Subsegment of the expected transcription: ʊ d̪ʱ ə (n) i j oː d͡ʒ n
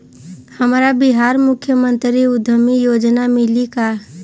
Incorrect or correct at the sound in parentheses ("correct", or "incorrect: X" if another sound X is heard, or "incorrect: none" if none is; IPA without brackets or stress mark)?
incorrect: m